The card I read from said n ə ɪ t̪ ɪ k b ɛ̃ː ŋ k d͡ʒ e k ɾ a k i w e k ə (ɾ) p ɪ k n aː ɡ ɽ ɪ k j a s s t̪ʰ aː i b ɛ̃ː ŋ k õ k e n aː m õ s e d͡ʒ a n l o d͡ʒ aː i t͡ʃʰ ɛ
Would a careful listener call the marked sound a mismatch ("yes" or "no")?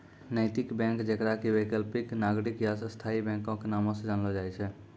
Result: yes